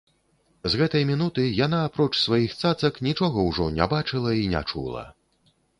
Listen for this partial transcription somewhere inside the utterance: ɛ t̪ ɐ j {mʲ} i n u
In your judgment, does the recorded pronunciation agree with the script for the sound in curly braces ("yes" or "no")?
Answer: yes